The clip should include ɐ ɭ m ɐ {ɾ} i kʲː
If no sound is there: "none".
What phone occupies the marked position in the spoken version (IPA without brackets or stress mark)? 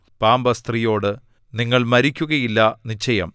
ɾ